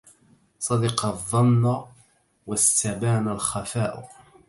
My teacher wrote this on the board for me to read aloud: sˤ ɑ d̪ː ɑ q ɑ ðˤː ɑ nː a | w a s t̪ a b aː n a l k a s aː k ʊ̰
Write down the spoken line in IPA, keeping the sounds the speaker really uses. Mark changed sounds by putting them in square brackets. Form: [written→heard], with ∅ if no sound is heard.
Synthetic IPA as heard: sˤ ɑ [d̪ː→d̪] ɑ q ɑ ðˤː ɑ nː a | w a s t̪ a b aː n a l [k→x] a [s→f] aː [k→ʔ] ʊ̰